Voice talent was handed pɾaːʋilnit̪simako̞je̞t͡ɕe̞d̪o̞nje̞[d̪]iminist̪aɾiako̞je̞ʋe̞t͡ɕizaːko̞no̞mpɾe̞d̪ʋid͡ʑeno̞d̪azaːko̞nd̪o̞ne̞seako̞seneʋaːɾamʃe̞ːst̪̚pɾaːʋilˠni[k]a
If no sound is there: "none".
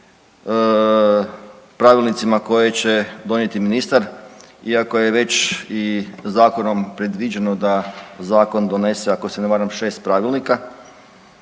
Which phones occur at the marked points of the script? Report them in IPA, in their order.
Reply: t̪, k

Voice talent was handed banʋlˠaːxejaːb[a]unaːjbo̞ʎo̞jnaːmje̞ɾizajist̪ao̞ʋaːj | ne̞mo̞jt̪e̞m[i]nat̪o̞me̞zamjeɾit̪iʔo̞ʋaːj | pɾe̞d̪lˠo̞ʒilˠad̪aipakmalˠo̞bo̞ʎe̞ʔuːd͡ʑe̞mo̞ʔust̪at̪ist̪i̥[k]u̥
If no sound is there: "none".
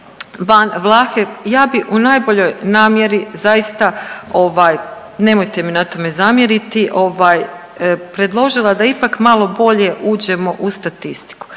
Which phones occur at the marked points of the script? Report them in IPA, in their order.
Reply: i, i, k

